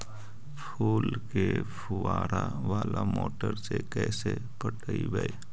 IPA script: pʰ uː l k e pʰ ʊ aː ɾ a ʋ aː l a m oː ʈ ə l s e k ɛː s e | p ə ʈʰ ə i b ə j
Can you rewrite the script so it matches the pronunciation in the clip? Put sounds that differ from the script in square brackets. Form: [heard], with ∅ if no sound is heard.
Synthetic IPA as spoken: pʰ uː l k e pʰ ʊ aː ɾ a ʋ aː l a m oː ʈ ə [ɾ] s e k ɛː s e | p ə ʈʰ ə i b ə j